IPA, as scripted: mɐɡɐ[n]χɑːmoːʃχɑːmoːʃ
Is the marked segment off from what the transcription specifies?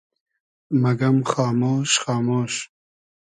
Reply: yes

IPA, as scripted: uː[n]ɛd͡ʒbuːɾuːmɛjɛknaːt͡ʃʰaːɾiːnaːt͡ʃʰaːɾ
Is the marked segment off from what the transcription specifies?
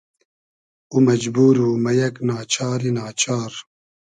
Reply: yes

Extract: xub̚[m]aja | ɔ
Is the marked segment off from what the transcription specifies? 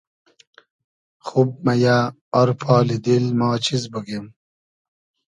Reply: no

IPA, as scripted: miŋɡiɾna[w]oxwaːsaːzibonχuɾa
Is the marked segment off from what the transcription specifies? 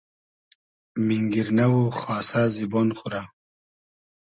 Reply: no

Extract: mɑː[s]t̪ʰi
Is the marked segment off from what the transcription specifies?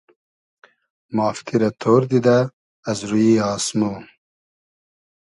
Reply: yes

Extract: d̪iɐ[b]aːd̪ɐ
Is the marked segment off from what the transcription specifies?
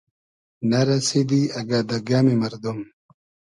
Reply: yes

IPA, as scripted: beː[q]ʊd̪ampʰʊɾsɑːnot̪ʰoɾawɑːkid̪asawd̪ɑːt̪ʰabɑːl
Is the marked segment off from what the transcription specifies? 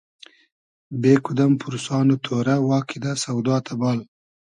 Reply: yes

